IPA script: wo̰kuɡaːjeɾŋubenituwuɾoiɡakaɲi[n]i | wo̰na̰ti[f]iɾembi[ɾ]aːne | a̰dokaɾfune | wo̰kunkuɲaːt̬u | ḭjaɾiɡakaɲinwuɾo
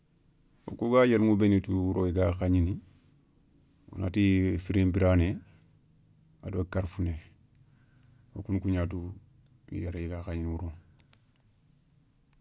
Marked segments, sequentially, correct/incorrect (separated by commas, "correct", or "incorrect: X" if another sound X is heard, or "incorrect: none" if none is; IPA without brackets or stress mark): correct, correct, correct